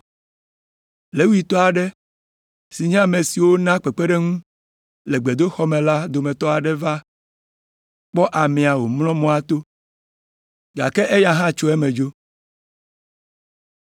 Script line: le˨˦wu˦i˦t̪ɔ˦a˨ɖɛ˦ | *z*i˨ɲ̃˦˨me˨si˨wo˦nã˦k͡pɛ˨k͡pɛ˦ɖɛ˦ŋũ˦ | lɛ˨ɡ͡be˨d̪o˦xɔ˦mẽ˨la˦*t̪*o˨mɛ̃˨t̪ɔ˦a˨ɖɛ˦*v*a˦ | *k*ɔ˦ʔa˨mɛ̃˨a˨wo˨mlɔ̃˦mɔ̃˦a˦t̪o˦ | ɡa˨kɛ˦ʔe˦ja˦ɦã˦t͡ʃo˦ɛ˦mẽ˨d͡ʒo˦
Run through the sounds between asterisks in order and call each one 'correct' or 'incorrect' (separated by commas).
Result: incorrect, incorrect, correct, incorrect